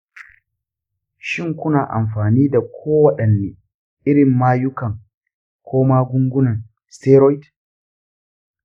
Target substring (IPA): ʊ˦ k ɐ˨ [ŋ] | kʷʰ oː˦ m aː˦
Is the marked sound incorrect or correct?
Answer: correct